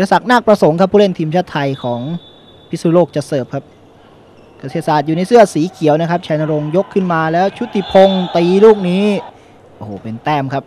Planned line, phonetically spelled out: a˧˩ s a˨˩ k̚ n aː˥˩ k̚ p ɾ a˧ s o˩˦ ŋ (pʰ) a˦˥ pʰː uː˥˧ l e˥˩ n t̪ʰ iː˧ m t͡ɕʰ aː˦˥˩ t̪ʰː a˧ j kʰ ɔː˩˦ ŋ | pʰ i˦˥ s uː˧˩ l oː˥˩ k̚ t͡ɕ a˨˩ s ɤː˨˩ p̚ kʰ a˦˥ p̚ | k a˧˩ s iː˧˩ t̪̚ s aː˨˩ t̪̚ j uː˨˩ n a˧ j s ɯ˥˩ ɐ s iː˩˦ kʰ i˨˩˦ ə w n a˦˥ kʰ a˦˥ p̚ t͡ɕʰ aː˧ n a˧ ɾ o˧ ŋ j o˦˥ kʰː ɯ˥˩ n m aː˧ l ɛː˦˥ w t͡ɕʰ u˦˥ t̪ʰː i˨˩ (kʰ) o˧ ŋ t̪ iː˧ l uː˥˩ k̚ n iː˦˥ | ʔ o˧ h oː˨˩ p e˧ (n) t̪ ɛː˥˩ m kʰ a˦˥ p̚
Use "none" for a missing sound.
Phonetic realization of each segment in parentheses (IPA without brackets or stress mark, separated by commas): kʰ, pʰ, n